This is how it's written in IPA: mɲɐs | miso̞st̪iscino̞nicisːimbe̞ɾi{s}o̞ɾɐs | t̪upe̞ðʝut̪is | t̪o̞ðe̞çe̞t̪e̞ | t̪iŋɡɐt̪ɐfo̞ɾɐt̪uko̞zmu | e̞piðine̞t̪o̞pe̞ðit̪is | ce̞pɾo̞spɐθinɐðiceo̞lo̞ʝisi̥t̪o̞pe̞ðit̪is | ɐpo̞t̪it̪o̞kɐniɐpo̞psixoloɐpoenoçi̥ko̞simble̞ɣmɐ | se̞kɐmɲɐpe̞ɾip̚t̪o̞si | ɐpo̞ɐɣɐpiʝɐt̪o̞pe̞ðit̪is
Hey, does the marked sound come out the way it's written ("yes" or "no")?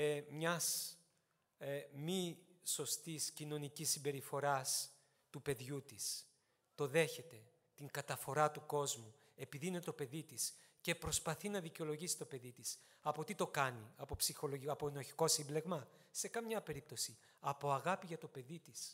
no